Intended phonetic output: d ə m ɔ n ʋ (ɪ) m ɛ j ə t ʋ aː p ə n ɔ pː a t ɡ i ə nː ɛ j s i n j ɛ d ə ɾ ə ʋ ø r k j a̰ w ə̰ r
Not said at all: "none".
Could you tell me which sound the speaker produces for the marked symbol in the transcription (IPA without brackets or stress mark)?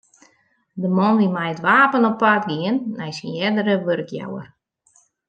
i